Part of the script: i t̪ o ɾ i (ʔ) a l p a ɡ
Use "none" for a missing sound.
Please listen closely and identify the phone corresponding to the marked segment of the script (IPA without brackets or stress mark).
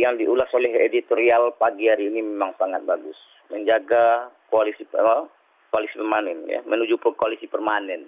none